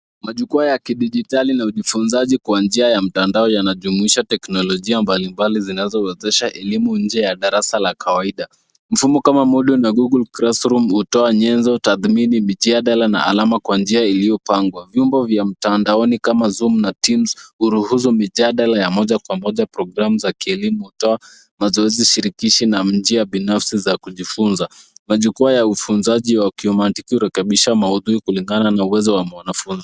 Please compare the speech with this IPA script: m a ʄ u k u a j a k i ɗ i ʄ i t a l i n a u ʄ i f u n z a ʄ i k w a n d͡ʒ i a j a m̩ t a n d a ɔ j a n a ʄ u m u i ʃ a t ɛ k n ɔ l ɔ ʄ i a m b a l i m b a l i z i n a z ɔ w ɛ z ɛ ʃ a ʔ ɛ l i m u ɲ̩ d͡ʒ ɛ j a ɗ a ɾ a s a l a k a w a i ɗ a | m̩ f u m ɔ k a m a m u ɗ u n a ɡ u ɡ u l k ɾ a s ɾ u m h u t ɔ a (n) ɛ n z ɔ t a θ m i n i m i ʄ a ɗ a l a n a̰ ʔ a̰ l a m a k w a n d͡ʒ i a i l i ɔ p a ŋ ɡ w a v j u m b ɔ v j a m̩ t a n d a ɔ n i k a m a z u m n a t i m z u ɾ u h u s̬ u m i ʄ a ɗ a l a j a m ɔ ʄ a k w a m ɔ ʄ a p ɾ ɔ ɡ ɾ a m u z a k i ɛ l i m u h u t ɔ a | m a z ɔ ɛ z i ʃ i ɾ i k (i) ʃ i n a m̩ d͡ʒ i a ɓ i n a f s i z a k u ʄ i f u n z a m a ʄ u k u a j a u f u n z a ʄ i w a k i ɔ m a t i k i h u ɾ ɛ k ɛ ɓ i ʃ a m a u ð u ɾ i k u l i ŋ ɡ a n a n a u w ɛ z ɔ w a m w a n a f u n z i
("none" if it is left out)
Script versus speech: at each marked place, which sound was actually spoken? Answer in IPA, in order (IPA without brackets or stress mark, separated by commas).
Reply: ɲ, i